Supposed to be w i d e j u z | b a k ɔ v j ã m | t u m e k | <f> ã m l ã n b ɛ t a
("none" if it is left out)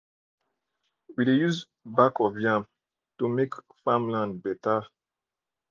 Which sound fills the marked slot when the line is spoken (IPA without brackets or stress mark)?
f